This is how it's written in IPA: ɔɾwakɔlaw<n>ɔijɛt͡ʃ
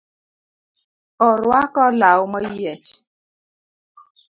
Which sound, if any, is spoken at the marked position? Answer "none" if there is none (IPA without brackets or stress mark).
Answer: m